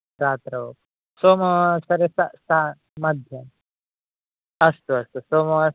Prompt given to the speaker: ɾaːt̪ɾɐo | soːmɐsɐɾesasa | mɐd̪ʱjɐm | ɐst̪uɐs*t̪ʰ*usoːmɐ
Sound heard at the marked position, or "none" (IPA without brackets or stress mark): t̪